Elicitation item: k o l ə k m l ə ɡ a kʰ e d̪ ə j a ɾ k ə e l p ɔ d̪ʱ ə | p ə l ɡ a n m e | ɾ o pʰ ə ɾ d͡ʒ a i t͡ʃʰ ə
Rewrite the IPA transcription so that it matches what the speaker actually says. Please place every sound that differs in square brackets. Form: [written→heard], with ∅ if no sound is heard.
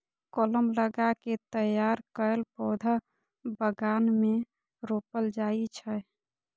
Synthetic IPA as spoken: k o l ə [k→∅] m l ə ɡ a [kʰ→k] e [d̪→t̪] ə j a ɾ k ə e l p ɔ d̪ʱ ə | [p→b] ə [l→∅] ɡ a n m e | ɾ o [pʰ→p] ə [ɾ→l] d͡ʒ a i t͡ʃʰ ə